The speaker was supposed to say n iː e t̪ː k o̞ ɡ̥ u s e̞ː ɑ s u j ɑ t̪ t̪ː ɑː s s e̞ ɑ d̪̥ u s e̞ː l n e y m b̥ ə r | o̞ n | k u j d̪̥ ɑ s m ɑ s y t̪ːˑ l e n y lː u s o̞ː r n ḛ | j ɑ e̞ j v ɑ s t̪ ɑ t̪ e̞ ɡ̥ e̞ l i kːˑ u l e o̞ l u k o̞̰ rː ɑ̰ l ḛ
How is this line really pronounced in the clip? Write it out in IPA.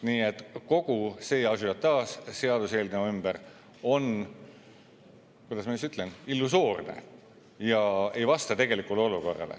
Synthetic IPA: n iː e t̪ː k o̞ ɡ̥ u s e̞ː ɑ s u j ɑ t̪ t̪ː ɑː s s e̞ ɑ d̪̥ u s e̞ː l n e y m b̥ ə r | o̞ n | k u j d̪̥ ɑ s m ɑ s y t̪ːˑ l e n i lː u s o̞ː r n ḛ | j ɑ e̞ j v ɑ s t̪ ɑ t̪ e̞ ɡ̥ e̞ l i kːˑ u l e o̞ l u k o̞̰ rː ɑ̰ l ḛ